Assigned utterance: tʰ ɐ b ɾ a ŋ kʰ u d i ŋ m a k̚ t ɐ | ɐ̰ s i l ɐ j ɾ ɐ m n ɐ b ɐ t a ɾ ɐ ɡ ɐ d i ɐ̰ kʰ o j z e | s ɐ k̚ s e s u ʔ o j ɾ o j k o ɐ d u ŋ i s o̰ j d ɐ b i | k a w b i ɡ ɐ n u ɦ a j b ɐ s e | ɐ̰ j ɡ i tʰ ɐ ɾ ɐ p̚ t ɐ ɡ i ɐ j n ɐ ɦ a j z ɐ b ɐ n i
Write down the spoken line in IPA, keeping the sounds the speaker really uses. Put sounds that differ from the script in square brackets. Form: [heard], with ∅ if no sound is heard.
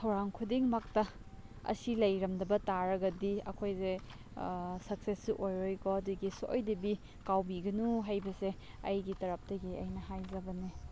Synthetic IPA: tʰ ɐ [w] ɾ a ŋ kʰ u d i ŋ m a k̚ t ɐ | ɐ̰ s i l ɐ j ɾ ɐ m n ɐ b ɐ t a ɾ ɐ ɡ ɐ d i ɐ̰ kʰ o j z e | s ɐ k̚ s e s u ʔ o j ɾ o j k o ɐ d u [ɡ] i s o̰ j d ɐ b i | k a w b i ɡ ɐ n u ɦ a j b ɐ s e | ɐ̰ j ɡ i [t] ɐ ɾ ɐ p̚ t ɐ ɡ i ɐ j n ɐ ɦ a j z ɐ b ɐ n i

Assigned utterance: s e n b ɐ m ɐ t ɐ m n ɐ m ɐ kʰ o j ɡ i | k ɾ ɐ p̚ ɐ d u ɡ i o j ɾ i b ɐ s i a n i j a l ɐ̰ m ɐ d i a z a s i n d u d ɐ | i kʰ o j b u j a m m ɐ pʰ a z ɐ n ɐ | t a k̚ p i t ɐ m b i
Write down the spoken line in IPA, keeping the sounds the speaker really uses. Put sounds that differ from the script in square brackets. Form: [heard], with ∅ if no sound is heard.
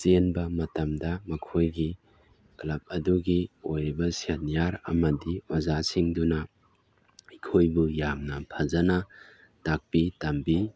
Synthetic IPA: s e n b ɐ m ɐ t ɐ m [d] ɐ m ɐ kʰ o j ɡ i | k [l] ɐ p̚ ɐ d u ɡ i o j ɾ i b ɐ s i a n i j a [ɾ] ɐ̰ m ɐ d i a z a s i [ŋ] d u [n] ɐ | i kʰ o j b u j a m [n] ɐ pʰ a z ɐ n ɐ | t a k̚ p i t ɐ m b i

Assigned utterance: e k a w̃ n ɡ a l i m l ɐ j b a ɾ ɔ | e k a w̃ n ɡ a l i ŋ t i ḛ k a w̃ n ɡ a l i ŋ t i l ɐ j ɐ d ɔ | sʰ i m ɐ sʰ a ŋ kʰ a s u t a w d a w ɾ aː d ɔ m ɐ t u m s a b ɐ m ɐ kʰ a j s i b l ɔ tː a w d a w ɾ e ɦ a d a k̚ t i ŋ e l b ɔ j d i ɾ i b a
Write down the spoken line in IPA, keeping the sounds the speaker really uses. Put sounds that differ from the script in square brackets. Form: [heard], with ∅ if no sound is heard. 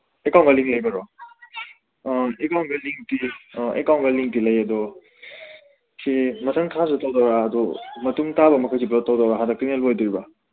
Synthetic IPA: e k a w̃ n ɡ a l i [ŋ] l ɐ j b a ɾ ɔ | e k a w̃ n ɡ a l i ŋ t i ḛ k a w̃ n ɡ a l i ŋ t i l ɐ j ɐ d ɔ | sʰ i m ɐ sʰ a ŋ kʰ a s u t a w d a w ɾ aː d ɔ m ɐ t u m [t] a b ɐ m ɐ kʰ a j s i b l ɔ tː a w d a w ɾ [a] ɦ a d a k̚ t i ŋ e l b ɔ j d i ɾ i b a

